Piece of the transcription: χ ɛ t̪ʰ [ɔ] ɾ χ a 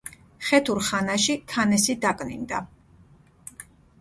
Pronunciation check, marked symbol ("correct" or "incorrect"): incorrect